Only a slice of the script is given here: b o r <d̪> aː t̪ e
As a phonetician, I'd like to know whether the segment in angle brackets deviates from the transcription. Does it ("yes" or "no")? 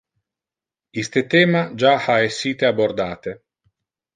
no